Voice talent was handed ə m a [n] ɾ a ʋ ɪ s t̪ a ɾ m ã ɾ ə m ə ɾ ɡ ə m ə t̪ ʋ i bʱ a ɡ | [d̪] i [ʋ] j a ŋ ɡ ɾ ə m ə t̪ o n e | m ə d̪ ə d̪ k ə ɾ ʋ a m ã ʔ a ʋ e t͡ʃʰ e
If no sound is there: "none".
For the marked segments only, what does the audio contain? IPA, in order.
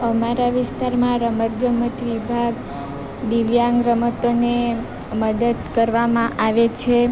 none, d̪, ʋ

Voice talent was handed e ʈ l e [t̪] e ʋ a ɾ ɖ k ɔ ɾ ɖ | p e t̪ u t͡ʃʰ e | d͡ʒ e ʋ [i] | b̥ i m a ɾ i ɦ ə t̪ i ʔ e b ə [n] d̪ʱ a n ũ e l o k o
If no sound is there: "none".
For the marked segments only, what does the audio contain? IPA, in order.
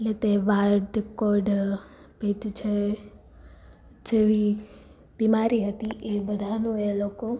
t̪, i, none

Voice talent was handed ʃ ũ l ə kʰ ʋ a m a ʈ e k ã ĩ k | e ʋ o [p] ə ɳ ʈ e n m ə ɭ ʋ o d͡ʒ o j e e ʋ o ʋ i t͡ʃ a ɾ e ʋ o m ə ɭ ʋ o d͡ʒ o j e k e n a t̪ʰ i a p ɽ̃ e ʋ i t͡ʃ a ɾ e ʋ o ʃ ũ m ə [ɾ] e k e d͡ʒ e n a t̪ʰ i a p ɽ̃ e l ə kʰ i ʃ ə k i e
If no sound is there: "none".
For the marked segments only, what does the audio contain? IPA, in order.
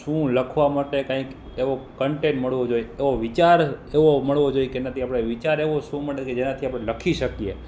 k, ɭ

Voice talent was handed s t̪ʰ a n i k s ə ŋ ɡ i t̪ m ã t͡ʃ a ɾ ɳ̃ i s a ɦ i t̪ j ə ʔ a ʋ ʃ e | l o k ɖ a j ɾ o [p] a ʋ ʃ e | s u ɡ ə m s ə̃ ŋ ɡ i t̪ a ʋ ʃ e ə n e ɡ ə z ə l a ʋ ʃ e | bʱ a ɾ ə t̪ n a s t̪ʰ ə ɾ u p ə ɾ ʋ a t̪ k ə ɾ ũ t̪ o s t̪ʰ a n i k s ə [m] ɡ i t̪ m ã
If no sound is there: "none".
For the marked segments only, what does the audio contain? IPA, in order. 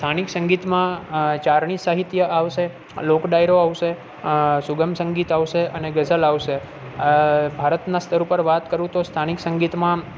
none, ŋ

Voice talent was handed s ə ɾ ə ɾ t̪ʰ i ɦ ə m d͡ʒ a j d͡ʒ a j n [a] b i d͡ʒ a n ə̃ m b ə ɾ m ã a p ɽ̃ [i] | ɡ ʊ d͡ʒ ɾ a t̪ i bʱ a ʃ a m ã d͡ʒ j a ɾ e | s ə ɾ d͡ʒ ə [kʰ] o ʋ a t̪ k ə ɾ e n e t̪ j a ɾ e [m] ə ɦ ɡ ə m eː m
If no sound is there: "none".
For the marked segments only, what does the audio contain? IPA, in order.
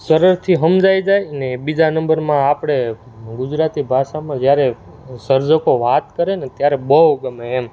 e, e, k, b

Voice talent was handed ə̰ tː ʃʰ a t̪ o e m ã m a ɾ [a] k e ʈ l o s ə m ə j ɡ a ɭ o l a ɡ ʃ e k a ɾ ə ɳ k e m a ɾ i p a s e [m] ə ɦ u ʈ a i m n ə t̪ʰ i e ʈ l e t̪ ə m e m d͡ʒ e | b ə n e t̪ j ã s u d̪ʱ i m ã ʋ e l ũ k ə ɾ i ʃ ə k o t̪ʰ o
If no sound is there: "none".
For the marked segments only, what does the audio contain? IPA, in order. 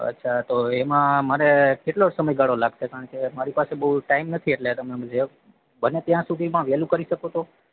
e, b

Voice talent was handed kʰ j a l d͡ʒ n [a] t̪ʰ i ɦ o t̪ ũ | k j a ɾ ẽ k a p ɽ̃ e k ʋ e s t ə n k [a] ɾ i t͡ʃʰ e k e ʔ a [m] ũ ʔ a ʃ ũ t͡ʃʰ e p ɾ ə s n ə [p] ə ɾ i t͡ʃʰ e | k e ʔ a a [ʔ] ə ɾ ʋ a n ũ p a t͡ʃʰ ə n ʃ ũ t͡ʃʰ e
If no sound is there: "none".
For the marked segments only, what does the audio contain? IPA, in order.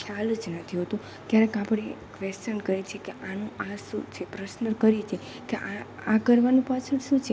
ə, ə, n, k, k

